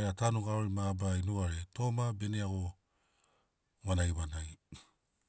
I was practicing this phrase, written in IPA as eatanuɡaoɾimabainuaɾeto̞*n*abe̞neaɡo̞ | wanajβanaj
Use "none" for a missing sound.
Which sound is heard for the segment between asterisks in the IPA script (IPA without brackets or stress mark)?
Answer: m